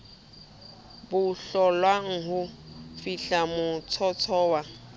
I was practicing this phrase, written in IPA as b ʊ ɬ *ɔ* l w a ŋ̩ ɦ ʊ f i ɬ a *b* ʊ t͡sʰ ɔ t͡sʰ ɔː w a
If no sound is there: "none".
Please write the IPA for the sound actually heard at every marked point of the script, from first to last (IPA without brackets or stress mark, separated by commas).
ɔ, m